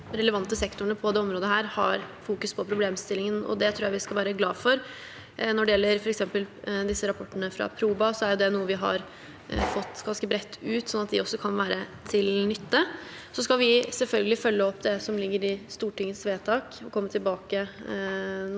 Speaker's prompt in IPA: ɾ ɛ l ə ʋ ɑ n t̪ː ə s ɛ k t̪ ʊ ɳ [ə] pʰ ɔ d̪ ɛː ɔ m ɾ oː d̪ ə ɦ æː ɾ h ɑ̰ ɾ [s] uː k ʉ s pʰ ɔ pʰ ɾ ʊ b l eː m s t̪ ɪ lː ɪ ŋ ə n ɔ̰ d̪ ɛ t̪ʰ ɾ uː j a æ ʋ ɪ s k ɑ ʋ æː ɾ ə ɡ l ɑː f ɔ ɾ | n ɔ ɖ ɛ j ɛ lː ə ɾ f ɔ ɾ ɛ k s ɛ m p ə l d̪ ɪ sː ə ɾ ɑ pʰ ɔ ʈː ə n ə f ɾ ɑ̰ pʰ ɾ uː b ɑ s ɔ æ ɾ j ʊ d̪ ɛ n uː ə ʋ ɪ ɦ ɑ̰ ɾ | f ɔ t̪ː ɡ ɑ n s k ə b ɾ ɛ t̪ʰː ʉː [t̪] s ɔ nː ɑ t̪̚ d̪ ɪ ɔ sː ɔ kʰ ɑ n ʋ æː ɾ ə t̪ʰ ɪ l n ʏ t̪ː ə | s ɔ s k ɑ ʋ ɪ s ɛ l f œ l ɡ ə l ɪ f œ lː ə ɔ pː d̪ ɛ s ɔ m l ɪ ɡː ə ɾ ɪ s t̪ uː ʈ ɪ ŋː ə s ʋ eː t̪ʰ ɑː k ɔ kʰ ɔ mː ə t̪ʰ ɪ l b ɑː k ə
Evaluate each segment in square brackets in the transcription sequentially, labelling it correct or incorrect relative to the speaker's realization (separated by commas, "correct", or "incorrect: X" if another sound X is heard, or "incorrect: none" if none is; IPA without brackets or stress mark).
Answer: correct, incorrect: f, correct